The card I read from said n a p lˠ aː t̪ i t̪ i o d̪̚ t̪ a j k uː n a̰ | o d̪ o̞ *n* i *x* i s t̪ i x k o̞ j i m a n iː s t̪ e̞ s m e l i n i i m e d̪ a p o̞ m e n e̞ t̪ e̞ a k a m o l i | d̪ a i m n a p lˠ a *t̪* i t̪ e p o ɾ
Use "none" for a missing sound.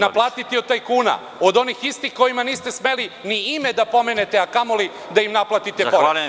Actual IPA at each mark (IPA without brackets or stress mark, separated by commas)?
n, x, t̪